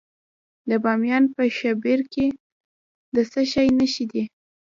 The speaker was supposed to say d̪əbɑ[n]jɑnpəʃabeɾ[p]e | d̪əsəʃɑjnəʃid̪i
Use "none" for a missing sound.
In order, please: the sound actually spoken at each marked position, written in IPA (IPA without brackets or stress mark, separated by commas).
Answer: m, k